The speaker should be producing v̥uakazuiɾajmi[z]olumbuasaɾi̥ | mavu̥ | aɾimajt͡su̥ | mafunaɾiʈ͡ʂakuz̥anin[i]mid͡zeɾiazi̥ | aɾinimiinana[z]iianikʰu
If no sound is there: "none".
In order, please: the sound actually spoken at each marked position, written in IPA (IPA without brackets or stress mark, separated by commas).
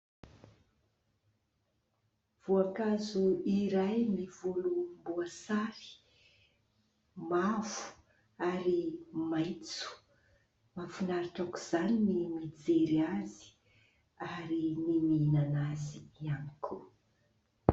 v, i, z